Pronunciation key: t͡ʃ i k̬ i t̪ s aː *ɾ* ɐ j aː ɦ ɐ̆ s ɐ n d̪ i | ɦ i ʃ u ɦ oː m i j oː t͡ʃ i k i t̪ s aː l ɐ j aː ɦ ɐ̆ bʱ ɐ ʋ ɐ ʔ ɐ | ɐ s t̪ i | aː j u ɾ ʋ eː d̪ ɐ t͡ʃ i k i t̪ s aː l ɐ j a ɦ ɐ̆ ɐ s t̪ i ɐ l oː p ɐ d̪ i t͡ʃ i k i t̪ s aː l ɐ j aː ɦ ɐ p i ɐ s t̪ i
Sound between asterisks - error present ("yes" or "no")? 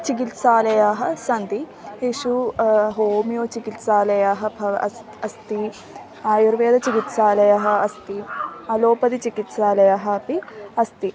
yes